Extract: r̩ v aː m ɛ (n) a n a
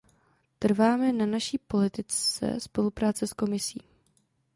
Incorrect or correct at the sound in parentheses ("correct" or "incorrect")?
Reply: correct